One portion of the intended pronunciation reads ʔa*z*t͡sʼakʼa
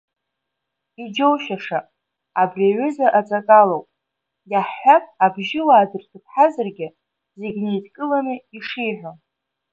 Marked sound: incorrect: none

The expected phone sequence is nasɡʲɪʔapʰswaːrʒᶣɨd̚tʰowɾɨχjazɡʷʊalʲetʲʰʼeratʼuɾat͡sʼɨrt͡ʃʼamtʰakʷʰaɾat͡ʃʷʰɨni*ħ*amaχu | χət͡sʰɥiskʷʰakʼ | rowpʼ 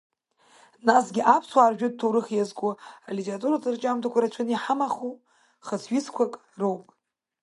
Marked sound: correct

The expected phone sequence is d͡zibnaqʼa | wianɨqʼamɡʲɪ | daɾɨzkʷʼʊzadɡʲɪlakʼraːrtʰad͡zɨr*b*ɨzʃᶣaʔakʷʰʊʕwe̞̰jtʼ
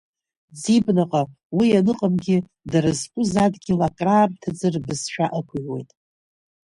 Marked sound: correct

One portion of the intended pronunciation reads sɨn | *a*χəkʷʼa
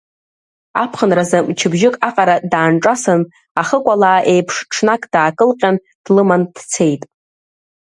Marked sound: correct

